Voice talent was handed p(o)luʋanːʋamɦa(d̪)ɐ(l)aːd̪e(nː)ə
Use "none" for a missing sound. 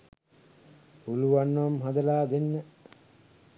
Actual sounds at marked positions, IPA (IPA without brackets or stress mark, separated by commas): u, d̪, l, nː